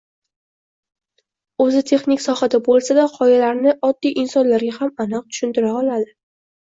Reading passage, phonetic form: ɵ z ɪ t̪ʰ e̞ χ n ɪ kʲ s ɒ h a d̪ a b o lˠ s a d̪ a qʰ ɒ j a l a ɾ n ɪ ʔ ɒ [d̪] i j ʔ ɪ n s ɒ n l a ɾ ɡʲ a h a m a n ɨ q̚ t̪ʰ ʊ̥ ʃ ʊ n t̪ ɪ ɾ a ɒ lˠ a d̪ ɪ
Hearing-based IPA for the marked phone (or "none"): d̪ː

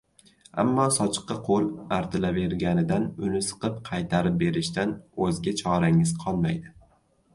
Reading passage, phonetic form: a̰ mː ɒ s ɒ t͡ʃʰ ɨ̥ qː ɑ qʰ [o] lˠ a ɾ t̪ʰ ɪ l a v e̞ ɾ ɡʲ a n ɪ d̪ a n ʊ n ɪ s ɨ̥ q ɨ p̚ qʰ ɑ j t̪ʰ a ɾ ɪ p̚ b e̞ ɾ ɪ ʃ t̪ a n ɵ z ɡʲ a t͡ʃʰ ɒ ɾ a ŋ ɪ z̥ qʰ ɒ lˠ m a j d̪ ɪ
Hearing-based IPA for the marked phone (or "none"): o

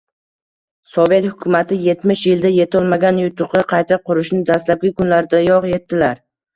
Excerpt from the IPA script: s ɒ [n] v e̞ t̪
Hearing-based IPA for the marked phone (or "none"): none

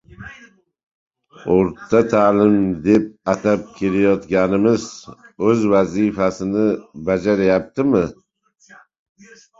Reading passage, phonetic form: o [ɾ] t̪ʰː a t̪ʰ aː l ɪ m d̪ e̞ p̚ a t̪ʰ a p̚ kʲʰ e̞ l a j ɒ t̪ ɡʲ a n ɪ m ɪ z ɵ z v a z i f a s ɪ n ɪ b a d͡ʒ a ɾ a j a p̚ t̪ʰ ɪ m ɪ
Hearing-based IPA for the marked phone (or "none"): ɾ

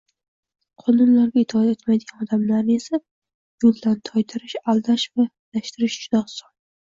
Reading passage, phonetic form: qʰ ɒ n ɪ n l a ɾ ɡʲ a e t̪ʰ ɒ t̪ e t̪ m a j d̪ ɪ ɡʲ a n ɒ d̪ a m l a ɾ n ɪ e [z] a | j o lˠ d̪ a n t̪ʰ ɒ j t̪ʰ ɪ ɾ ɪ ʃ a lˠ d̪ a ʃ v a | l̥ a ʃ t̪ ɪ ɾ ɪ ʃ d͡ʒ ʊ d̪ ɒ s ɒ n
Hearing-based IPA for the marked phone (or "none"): s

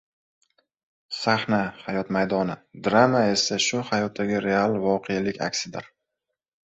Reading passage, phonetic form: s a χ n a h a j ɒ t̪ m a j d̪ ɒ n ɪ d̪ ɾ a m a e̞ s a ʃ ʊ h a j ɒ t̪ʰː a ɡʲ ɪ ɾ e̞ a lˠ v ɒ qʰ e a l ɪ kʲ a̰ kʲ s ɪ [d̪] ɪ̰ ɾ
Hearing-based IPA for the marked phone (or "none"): d̪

